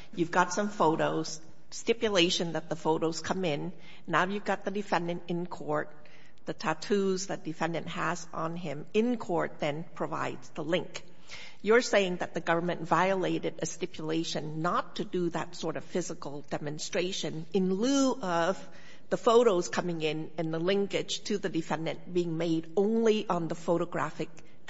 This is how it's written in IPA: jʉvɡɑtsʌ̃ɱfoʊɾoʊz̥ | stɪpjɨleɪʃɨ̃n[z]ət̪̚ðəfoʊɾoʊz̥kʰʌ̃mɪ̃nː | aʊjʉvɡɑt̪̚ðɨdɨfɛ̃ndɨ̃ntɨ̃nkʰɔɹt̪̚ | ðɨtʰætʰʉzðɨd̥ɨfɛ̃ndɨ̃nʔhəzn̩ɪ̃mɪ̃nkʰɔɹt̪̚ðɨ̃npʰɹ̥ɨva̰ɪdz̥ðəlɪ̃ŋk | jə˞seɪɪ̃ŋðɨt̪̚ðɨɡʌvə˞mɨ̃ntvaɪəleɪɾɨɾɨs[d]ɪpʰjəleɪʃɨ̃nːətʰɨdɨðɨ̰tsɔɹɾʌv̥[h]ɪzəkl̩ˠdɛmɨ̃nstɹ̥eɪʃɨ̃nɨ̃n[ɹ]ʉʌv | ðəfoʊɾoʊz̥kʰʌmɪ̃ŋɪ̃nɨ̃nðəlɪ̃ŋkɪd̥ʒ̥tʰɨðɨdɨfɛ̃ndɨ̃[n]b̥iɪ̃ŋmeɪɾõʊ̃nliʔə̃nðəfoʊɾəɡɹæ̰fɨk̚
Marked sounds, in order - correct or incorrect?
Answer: incorrect: ð, incorrect: t, incorrect: f, incorrect: l, correct

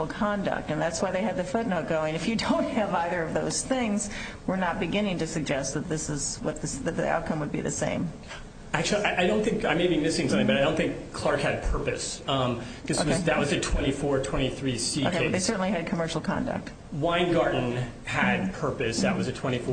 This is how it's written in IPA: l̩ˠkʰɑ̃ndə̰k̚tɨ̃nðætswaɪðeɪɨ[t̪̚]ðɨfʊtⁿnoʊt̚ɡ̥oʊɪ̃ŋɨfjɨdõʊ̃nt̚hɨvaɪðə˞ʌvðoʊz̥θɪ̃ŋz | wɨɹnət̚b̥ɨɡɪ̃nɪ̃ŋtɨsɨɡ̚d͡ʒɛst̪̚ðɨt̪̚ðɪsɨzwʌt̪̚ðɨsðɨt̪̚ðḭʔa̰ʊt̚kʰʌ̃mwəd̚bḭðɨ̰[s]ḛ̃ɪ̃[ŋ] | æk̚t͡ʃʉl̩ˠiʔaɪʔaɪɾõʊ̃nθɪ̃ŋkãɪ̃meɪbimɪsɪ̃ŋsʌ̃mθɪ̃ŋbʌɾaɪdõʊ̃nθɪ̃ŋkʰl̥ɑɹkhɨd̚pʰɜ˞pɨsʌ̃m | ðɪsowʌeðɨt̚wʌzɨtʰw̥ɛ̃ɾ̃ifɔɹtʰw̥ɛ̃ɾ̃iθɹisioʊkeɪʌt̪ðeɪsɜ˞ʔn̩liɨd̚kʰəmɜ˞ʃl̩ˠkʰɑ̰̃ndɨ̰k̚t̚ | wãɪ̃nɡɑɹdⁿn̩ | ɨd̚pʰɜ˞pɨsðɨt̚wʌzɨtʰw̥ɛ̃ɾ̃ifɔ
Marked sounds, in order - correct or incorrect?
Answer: incorrect: d̪̚, correct, incorrect: m

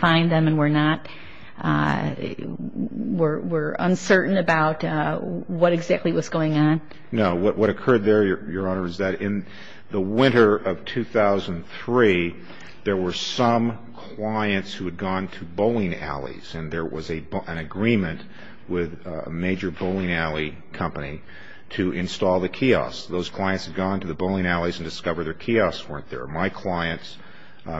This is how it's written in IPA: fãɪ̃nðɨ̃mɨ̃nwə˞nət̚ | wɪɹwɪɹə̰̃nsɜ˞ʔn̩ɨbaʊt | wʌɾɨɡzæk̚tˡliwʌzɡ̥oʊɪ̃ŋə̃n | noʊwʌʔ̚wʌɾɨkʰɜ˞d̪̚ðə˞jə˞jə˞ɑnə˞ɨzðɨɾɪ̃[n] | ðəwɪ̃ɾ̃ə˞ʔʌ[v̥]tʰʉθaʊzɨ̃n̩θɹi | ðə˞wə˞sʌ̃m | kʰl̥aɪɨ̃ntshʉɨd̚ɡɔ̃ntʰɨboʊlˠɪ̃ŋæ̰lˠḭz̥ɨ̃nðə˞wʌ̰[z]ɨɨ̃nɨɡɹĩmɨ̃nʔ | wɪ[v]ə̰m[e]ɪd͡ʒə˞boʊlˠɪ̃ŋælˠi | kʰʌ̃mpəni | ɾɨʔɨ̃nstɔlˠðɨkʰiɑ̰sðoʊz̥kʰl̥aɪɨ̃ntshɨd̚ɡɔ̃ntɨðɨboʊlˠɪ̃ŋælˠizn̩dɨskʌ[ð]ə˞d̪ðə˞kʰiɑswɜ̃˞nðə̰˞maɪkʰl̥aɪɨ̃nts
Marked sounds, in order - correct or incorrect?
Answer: correct, correct, correct, incorrect: ð, correct, incorrect: v

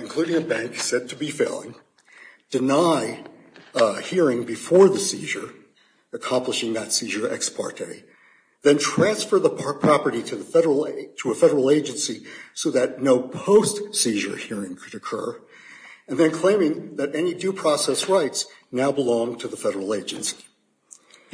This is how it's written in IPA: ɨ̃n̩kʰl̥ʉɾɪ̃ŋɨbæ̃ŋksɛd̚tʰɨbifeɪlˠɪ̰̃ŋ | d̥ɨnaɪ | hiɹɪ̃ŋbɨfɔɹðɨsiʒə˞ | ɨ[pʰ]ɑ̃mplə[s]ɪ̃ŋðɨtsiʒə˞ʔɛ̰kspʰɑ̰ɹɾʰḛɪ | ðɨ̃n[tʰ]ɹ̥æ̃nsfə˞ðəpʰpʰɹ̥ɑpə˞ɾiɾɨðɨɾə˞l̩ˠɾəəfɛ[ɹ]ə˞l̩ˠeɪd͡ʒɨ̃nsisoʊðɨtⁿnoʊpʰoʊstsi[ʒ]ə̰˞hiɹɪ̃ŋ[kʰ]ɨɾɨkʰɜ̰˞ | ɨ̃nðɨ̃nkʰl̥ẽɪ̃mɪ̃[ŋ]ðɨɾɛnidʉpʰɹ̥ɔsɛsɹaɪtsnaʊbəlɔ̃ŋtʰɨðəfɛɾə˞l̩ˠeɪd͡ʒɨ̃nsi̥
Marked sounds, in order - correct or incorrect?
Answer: incorrect: kʰ, incorrect: ʃ, correct, incorrect: ɾ, correct, correct, correct

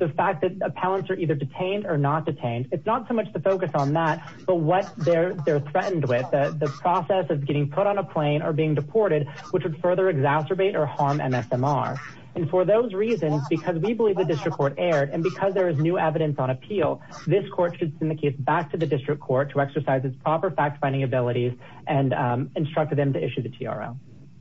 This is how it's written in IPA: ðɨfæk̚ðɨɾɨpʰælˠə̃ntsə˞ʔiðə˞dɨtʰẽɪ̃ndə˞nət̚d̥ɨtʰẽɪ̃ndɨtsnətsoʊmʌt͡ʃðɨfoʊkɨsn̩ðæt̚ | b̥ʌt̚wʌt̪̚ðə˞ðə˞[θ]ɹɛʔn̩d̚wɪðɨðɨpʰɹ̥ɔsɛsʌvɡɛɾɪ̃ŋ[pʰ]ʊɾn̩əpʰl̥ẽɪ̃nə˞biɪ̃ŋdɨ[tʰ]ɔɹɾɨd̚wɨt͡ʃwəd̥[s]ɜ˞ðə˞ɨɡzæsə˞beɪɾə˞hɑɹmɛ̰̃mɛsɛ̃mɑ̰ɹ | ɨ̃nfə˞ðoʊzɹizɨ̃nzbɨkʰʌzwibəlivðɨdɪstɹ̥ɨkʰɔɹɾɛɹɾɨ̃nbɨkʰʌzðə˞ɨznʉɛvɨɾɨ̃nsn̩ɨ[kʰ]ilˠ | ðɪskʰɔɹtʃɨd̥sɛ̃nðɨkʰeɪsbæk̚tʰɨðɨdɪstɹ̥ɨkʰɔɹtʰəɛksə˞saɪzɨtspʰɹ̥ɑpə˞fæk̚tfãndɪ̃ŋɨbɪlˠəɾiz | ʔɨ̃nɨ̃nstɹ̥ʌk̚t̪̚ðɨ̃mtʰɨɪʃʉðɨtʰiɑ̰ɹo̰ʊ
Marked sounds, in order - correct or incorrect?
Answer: correct, correct, incorrect: pʰ, incorrect: f, incorrect: pʰ

